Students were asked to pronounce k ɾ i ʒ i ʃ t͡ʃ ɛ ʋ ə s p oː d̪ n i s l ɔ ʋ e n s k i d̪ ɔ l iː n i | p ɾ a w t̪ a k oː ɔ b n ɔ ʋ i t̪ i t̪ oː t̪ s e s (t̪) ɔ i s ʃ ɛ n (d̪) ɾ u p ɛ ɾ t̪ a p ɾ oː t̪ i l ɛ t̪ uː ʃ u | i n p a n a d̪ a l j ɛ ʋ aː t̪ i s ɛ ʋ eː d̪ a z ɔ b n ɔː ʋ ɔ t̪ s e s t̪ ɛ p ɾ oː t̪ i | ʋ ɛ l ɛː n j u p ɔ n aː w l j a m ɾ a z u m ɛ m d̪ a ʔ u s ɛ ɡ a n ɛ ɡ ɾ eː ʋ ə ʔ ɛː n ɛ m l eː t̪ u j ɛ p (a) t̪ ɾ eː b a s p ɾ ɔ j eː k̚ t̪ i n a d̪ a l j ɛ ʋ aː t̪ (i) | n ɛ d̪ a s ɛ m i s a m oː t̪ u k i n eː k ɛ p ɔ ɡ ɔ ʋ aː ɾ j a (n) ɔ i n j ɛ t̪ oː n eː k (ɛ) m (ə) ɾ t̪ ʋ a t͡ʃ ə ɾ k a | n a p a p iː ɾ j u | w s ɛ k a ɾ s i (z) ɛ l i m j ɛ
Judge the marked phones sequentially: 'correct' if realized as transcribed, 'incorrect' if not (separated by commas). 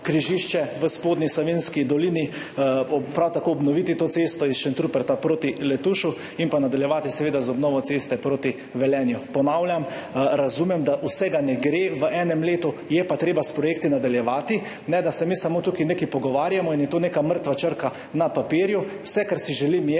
correct, incorrect, correct, correct, incorrect, incorrect, correct, incorrect